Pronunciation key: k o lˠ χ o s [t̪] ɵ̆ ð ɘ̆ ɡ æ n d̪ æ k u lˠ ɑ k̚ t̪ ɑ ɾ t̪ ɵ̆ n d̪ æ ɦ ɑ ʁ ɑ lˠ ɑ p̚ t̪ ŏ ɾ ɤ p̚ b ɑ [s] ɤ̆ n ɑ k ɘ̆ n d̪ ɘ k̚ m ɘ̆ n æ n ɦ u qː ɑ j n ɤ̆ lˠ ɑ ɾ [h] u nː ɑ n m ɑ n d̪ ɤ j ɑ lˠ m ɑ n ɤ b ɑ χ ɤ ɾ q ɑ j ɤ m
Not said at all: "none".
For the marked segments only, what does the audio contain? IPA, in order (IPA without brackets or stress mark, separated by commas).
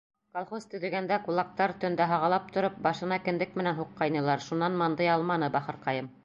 t̪, ʃ, ʃ